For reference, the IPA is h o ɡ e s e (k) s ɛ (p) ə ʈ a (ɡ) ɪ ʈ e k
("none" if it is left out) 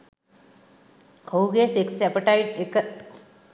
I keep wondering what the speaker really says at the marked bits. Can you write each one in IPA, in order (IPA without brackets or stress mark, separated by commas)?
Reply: k, p, none